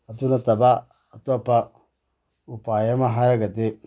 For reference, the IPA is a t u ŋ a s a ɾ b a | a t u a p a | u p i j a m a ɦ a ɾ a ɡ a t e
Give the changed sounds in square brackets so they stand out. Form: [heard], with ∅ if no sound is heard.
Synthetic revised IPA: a t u [n] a [t] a [∅] b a | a t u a p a | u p [a] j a m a ɦ a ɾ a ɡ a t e